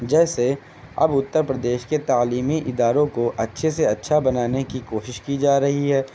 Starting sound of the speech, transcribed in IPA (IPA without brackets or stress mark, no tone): d͡ʒ